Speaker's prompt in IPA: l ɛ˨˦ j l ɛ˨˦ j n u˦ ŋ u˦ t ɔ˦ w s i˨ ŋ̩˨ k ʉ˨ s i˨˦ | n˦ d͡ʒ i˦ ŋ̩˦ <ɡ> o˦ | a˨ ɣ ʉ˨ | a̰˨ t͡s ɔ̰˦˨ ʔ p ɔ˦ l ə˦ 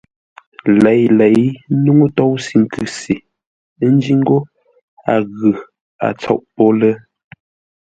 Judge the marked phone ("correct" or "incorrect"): correct